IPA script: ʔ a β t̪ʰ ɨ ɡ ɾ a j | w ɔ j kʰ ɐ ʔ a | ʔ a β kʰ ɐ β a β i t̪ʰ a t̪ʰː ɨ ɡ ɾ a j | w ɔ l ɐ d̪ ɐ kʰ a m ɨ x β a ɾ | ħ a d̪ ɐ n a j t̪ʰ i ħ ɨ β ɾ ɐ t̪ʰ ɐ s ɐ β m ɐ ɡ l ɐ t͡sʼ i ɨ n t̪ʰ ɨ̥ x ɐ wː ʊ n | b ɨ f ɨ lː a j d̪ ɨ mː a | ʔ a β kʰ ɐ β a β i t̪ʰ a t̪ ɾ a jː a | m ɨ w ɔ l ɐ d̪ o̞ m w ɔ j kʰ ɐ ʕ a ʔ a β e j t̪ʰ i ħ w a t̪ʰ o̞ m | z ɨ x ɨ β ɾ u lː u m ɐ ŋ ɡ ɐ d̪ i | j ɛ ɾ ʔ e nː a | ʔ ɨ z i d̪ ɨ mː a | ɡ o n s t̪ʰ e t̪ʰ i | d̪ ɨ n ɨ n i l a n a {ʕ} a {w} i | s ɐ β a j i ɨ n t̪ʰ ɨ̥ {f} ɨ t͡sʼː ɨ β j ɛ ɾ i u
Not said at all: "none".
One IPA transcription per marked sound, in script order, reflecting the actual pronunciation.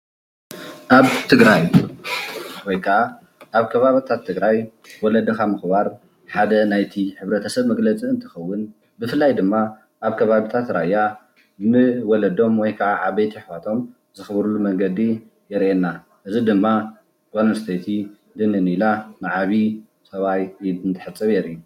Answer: ʕ, β, ħ

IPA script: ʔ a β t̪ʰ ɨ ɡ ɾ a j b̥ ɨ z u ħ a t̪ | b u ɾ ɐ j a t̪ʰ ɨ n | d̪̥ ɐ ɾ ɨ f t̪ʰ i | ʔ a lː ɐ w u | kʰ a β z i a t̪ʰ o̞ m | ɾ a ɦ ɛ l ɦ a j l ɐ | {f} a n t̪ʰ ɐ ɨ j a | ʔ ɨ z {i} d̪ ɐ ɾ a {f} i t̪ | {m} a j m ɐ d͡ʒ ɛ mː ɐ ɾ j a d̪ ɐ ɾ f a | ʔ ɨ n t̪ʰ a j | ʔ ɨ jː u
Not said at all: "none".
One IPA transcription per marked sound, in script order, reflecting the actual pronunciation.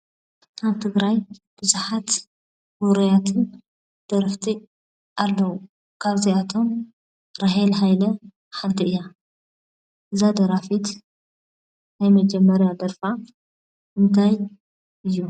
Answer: ħ, a, f, n

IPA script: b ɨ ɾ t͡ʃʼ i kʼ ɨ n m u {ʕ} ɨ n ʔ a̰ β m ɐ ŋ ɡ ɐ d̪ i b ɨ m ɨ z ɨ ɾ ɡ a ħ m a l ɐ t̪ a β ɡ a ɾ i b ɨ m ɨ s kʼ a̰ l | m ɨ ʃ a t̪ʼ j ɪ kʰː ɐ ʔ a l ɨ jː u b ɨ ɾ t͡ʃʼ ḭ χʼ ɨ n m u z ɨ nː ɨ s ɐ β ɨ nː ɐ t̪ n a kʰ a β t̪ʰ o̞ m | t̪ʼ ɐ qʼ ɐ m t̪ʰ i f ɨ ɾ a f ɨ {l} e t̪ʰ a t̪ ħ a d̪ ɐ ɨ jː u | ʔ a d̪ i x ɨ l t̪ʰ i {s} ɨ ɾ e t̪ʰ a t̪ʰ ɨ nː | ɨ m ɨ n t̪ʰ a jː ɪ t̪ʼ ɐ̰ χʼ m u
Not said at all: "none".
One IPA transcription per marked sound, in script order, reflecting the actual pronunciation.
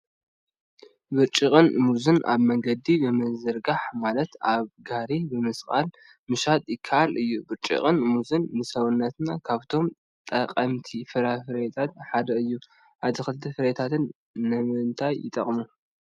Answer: z, ɾ, f

